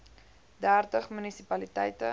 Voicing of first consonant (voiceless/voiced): voiced